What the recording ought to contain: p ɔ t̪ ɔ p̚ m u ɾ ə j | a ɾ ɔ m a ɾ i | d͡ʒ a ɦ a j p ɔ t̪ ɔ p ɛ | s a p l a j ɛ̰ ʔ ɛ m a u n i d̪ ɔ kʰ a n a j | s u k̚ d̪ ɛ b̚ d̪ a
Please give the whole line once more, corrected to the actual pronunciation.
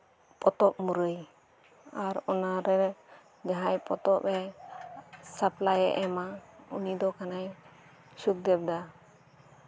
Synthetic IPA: p ɔ t̪ ɔ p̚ m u ɾ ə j | a ɾ ɔ n a ɾ ɛ | d͡ʒ a ɦ a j p ɔ t̪ ɔ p ɛ | s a p l a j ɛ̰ ʔ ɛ m a u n i d̪ ɔ k a n a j | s u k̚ d̪ ɛ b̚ d̪ a